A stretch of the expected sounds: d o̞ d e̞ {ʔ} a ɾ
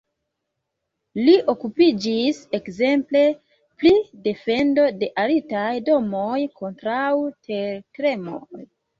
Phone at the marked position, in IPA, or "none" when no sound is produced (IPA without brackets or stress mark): ʔ